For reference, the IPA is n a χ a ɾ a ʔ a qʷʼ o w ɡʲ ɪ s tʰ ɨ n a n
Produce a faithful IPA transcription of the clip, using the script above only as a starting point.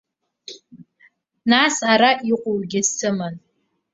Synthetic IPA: n a s a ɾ a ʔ i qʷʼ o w ɡʲ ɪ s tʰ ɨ m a n